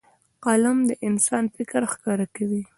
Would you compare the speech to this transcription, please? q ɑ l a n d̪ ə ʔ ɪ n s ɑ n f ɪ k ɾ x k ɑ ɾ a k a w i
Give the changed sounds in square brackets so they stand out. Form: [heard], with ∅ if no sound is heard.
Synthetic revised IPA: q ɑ l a [m] d̪ ə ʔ ɪ n s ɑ n f ɪ k ɾ x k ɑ ɾ a k a w i